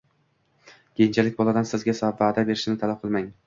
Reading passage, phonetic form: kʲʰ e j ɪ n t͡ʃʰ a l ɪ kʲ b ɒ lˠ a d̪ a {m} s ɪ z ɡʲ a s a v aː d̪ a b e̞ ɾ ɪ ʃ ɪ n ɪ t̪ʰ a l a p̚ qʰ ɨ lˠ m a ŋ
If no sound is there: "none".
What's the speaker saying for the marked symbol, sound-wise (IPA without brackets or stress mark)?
n